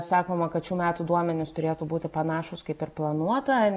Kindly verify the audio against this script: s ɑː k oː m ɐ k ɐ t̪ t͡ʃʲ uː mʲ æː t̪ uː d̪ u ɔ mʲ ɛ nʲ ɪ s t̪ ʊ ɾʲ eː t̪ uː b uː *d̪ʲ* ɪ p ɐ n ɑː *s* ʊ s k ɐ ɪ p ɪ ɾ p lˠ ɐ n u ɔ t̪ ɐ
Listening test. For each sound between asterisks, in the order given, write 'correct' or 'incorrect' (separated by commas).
incorrect, incorrect